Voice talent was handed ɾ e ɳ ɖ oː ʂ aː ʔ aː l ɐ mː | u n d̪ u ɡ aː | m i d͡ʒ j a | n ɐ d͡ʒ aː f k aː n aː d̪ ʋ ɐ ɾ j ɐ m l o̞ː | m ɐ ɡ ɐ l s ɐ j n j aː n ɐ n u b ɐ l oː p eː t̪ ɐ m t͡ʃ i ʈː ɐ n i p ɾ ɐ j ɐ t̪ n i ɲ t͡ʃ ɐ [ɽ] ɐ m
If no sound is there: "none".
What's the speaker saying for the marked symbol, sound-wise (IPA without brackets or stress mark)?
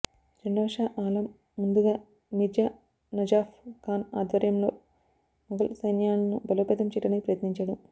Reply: ɽ